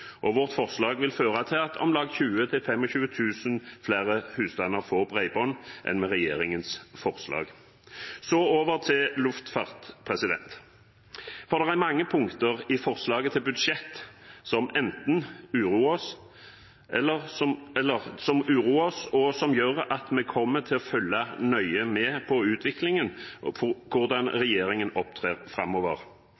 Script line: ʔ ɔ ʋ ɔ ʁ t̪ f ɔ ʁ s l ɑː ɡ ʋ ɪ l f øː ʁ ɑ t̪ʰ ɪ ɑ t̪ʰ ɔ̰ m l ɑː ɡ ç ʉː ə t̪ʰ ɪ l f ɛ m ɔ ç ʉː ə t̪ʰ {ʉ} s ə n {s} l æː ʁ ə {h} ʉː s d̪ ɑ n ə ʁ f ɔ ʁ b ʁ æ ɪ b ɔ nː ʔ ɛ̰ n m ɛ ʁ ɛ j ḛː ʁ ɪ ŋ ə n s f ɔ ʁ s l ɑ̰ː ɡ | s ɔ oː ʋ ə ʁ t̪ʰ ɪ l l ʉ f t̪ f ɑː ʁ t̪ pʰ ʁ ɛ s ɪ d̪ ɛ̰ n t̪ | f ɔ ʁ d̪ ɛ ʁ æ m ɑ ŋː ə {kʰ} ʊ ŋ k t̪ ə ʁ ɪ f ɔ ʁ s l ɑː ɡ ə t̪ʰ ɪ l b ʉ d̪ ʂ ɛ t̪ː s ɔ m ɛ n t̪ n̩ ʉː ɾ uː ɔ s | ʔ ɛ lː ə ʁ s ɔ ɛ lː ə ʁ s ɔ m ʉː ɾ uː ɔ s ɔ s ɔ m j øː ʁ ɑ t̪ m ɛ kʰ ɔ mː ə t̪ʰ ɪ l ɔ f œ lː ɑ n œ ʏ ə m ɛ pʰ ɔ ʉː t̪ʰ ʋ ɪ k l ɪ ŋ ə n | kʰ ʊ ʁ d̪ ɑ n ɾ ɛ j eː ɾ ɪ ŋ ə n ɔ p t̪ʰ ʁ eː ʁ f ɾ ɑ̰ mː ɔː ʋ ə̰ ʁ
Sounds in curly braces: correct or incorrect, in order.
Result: incorrect, incorrect, correct, incorrect

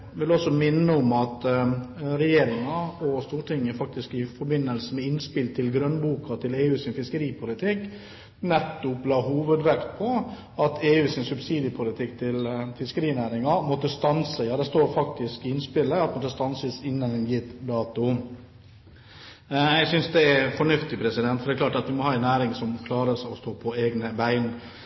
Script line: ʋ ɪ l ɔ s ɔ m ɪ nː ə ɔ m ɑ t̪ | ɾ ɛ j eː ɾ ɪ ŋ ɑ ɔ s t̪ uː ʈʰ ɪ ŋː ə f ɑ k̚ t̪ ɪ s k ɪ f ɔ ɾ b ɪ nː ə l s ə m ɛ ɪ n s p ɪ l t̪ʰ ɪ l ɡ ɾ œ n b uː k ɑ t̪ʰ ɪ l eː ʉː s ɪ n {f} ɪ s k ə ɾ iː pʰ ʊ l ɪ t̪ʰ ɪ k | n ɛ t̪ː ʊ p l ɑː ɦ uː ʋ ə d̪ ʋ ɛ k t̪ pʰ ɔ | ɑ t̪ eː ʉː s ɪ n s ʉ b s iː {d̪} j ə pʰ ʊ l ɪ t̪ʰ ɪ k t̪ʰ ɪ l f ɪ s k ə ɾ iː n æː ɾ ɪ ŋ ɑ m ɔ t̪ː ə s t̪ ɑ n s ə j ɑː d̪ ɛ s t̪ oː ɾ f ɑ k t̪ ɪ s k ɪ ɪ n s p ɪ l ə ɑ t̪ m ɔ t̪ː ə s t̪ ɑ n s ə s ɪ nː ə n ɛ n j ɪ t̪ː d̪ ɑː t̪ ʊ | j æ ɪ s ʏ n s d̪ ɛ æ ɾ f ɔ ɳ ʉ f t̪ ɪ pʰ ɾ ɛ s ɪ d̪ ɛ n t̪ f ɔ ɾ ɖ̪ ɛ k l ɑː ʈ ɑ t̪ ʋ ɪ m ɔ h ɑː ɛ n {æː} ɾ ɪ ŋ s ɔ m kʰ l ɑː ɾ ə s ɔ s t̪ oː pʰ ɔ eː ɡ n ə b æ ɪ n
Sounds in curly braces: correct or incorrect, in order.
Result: correct, correct, correct

